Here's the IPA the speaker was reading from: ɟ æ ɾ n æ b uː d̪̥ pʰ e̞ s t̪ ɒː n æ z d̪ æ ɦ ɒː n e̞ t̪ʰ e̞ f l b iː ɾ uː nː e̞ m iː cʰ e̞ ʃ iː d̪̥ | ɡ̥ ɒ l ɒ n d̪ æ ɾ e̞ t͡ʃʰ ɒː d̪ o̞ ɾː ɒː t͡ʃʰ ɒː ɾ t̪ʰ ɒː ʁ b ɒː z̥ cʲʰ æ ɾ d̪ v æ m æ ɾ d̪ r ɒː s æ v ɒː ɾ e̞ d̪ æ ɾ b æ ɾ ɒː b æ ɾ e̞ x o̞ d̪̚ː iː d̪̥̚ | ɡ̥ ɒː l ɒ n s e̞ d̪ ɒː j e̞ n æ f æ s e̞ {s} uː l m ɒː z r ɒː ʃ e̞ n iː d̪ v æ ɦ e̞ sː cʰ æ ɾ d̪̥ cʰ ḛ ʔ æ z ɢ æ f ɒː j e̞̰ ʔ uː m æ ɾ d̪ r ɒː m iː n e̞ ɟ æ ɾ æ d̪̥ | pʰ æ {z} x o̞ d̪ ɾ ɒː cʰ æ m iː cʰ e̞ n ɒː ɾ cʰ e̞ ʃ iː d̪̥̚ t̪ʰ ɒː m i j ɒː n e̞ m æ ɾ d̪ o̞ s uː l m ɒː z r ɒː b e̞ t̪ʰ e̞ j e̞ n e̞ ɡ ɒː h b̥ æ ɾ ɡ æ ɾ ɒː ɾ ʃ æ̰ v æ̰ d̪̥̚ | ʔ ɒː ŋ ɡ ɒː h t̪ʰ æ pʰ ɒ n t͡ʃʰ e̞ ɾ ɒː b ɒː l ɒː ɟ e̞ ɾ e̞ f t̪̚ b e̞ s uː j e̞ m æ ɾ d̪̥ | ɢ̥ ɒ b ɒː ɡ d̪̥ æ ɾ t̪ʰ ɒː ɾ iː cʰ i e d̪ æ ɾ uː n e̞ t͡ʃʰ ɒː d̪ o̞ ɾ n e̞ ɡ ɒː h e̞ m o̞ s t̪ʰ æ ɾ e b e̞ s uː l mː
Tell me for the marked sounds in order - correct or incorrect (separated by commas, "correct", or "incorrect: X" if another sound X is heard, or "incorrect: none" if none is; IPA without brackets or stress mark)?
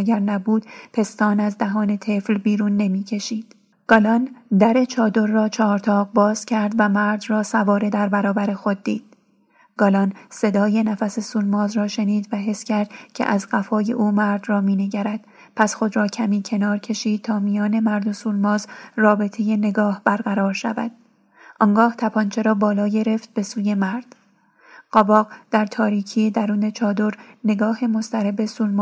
correct, incorrect: s